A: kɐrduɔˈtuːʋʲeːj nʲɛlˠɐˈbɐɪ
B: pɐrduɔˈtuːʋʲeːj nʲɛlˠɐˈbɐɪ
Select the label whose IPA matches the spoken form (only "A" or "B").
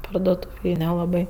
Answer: B